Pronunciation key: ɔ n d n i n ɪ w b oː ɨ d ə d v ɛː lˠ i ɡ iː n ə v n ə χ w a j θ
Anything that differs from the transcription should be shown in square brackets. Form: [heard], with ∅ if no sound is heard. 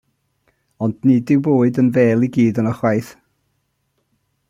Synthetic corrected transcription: ɔ n d n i [d] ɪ w b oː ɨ d ə [n] v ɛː lˠ i ɡ iː [d] ə [∅] n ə χ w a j θ

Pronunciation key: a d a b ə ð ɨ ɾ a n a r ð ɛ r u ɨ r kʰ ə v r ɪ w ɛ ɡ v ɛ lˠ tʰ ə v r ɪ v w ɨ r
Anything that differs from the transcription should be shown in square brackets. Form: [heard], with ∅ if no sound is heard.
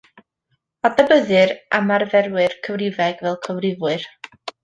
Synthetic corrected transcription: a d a b ə ð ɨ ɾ a [m] a r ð ɛ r [w] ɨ r kʰ ə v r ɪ [v] ɛ ɡ v ɛ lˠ [kʰ] ə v r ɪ v w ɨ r

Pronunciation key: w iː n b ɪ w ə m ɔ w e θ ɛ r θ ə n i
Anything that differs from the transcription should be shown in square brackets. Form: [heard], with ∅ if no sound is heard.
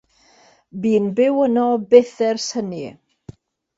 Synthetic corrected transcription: [b] iː n b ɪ w ə [n] ɔ [b] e θ ɛ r [s] ə n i

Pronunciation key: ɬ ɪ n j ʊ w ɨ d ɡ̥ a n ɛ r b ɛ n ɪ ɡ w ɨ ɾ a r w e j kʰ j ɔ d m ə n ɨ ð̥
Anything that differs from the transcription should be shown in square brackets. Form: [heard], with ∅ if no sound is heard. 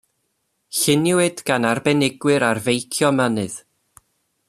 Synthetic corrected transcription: ɬ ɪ n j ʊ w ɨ d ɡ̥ a n [a] r b ɛ n ɪ ɡ w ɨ ɾ a r [v] e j kʰ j ɔ [∅] m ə n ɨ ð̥

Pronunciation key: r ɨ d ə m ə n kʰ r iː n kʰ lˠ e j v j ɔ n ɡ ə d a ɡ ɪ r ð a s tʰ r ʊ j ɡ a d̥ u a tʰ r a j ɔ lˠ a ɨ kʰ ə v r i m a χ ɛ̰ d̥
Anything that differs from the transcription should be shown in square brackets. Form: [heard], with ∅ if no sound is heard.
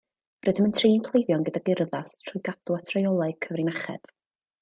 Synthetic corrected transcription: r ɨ d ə m ə n [tʰ] r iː n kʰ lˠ e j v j ɔ n ɡ ə d a ɡ ɪ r ð a s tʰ r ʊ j ɡ a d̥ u a tʰ r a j ɔ lˠ a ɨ kʰ ə v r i [n] a χ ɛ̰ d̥

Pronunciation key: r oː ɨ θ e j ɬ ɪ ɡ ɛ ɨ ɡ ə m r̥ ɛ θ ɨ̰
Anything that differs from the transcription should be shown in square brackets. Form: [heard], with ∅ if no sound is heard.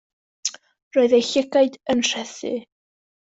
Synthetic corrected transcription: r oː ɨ [ð] e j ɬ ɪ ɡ [a] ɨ [d] ə [n] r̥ ɛ θ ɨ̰

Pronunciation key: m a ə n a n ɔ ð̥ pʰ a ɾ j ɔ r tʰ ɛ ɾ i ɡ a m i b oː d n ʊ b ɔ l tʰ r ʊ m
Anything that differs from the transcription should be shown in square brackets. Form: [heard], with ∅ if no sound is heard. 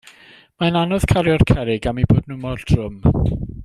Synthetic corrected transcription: m a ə n a n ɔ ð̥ [kʰ] a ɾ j ɔ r [kʰ] ɛ ɾ [ɪ] ɡ a m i b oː d n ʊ [m] ɔ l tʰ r ʊ m

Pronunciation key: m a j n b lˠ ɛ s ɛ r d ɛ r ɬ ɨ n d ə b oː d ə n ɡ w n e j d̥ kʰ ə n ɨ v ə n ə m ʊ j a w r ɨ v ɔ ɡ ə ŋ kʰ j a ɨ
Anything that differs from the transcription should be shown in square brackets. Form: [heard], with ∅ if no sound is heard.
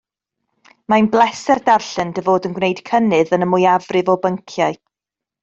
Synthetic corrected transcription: m a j n b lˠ ɛ s ɛ r d [a] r ɬ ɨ n d ə [v] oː d ə n ɡ w n e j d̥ kʰ ə n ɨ [ð] ə n ə m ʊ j a [v] r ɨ v ɔ [b] ə ŋ kʰ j a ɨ

